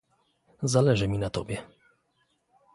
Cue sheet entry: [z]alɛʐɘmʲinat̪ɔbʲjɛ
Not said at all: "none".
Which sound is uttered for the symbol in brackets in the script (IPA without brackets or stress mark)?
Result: z